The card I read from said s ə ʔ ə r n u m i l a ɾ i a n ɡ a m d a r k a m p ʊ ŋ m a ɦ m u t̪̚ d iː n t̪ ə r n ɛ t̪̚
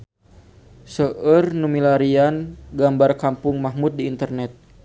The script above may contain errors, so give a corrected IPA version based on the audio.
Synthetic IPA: s ə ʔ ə r n u m i l a ɾ i a n ɡ a m b a r k a m p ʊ ŋ m a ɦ m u t̪̚ d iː n t̪ ə r n ɛ t̪̚